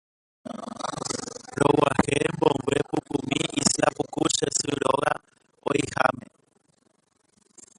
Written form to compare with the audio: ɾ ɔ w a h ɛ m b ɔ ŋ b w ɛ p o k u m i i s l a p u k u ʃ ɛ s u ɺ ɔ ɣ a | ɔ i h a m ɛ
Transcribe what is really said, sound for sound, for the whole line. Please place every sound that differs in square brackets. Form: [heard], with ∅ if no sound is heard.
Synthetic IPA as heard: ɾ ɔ w a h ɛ m b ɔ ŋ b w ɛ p [u] k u m i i s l a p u k u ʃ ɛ s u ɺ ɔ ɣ a | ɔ i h a m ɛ